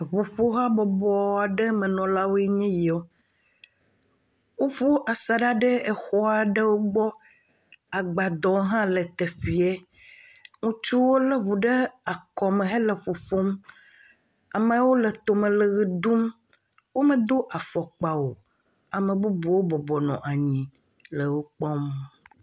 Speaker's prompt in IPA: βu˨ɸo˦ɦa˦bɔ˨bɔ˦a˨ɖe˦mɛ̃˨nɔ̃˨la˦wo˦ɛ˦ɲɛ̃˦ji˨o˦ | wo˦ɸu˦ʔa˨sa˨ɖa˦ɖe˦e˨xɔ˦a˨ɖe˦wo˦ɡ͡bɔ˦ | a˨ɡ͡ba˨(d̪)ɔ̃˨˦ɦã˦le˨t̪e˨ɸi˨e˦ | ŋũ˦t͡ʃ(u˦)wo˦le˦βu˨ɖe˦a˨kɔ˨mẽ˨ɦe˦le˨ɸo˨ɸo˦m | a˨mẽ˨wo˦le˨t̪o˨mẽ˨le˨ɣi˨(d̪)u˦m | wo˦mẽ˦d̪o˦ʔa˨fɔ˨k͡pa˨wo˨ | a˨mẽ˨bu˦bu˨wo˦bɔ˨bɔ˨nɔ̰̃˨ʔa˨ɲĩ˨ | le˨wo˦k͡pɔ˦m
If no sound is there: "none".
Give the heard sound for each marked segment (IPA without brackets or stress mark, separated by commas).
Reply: d̪, u˦, d̪